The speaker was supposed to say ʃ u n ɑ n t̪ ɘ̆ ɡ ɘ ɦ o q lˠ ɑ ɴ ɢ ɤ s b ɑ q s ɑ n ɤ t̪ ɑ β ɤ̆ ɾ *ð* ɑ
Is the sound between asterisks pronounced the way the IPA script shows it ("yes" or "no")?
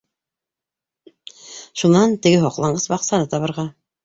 no